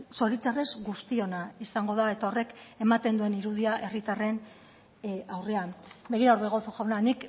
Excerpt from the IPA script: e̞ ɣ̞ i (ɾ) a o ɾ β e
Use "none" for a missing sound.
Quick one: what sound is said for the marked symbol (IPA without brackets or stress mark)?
ɾ